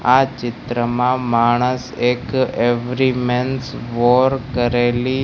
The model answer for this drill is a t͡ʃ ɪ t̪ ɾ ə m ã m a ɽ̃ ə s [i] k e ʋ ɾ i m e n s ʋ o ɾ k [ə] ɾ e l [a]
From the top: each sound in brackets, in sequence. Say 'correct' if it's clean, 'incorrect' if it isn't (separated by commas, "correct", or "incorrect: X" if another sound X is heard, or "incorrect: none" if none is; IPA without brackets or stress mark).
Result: incorrect: e, correct, incorrect: i